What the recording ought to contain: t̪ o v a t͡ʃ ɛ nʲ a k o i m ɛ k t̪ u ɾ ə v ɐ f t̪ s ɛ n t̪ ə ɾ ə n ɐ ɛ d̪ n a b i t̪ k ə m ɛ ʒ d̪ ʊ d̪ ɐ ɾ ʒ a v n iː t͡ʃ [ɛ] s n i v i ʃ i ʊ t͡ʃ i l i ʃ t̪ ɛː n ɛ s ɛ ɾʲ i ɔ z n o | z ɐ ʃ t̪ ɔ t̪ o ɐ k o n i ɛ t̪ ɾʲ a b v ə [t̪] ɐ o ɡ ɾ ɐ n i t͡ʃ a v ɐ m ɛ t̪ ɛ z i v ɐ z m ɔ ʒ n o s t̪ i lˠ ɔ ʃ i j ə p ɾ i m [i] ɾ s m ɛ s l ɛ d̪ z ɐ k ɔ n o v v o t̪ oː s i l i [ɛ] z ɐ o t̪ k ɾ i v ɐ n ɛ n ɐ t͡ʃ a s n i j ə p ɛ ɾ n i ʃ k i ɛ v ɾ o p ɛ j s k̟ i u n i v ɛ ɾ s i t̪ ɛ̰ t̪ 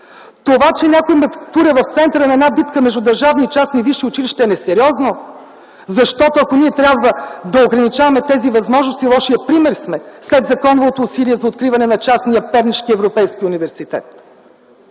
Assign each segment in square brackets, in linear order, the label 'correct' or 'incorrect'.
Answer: incorrect, incorrect, incorrect, correct

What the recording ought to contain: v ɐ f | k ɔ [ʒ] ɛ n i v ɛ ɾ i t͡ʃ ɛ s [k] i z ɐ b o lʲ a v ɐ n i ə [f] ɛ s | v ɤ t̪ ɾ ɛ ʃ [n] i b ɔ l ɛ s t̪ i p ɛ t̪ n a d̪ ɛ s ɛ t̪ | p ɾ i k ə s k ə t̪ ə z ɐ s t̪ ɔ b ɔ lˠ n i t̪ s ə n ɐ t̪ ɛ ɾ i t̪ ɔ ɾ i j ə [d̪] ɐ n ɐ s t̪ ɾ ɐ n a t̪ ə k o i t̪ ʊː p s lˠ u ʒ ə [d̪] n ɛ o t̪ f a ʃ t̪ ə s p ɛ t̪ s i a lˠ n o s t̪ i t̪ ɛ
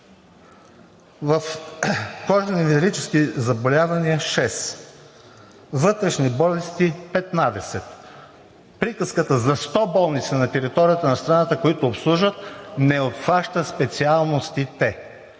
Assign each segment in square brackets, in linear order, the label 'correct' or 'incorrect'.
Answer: correct, correct, incorrect, correct, incorrect, incorrect

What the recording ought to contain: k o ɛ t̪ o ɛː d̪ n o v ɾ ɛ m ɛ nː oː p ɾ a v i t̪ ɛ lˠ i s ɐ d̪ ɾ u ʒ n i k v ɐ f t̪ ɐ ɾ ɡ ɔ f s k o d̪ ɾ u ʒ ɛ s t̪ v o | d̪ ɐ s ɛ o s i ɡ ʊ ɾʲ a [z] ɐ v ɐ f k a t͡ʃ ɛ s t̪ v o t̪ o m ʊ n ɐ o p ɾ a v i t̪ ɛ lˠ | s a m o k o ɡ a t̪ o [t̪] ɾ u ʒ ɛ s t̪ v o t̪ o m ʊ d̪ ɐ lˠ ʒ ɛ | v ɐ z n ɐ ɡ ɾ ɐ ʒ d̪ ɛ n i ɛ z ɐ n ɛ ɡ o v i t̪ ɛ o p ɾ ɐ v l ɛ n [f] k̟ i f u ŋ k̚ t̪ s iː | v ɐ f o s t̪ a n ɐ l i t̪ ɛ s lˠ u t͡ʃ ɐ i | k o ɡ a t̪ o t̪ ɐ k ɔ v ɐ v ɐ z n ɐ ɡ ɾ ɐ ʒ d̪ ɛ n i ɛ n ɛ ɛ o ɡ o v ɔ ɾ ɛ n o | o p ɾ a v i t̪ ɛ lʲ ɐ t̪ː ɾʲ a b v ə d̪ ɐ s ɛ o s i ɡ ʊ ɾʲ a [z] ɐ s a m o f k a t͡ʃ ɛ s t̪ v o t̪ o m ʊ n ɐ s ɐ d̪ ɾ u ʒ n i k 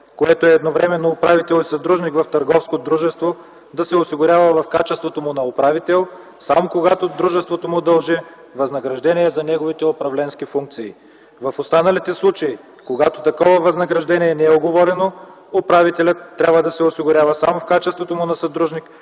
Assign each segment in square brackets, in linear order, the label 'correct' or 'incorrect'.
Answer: incorrect, incorrect, incorrect, incorrect

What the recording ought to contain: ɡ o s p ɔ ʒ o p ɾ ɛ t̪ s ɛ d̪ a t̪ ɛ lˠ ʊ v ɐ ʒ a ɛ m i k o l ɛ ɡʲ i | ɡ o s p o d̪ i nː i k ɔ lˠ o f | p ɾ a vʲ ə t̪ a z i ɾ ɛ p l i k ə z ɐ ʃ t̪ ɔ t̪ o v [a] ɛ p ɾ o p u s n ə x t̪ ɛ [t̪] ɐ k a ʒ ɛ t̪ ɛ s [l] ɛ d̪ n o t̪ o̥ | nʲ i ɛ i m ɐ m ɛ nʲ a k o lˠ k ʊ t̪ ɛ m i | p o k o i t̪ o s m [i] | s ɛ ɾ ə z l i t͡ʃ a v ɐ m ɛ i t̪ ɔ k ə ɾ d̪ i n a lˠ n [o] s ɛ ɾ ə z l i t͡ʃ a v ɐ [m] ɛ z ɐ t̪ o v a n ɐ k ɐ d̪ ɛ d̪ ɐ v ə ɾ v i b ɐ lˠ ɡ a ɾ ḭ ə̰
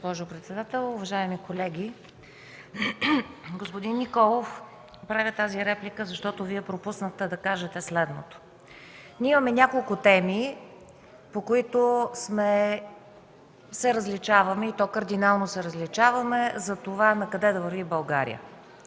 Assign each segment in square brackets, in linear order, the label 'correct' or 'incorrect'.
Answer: incorrect, incorrect, correct, incorrect, correct, correct

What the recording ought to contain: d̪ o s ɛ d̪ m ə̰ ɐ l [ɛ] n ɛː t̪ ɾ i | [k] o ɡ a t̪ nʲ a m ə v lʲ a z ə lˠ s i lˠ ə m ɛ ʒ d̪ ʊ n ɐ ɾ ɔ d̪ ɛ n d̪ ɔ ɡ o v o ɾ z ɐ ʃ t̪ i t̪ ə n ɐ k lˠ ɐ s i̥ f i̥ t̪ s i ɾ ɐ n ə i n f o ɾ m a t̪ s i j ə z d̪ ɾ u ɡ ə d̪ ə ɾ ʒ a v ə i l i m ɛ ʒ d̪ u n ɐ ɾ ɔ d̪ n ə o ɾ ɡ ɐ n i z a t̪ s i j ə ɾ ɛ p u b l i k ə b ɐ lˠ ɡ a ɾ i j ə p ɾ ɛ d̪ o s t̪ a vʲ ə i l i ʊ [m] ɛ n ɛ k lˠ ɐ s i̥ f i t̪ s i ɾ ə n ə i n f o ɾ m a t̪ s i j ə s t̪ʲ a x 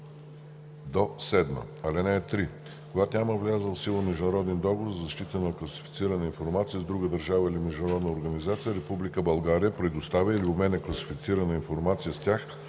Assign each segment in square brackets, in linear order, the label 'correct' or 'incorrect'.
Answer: correct, correct, correct

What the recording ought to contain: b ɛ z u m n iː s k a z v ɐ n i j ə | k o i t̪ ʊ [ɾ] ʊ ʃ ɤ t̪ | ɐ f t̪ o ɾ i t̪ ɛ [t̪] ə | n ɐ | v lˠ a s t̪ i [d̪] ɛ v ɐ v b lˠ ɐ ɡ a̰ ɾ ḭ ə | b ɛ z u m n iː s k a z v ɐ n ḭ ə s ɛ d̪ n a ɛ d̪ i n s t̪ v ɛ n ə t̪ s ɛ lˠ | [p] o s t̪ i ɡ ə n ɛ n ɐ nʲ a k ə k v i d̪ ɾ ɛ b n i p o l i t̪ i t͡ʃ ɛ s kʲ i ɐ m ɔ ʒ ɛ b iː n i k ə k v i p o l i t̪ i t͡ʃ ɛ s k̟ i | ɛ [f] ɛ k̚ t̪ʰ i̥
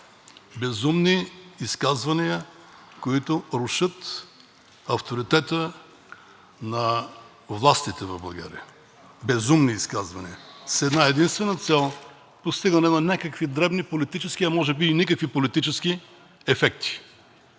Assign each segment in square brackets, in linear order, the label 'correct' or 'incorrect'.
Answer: correct, correct, incorrect, correct, correct

